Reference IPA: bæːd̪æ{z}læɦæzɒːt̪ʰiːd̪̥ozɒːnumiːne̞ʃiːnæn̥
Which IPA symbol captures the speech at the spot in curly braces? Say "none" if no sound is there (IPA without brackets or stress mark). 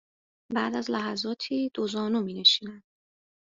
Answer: z